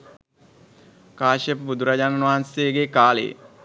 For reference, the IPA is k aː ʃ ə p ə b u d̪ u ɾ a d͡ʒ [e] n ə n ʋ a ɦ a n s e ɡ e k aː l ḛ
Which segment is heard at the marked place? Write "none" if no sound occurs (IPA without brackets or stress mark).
a